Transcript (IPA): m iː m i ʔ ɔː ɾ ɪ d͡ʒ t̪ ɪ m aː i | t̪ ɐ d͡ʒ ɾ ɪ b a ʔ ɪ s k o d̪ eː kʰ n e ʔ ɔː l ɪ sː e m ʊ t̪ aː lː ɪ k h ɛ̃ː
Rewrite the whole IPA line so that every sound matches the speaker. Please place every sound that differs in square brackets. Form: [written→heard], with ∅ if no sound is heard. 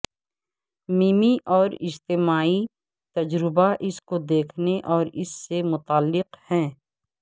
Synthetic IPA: m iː m i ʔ ɔː ɾ ɪ d͡ʒ t̪ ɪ m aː i | t̪ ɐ d͡ʒ ɾ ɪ b a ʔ ɪ s k o d̪ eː kʰ n e ʔ ɔː [l→ɾ] ɪ sː e m ʊ t̪ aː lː ɪ [k→q] h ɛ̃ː